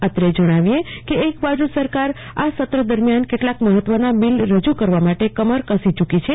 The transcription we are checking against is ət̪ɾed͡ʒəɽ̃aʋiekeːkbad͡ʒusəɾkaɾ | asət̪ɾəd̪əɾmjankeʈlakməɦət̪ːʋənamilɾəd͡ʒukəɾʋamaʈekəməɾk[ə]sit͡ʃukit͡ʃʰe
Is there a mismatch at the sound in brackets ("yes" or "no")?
no